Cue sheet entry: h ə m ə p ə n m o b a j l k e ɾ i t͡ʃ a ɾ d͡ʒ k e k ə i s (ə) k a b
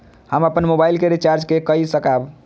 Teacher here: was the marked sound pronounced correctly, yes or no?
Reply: yes